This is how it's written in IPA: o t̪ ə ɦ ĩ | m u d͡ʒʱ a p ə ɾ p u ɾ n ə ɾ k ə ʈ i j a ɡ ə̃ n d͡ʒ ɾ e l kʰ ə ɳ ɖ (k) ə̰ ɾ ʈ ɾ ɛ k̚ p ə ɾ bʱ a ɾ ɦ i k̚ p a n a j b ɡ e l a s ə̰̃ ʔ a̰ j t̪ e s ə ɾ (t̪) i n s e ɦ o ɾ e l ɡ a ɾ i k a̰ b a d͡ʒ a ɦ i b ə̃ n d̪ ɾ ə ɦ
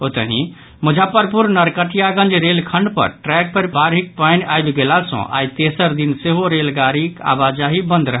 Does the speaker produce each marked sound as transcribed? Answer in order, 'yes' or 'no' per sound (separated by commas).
no, no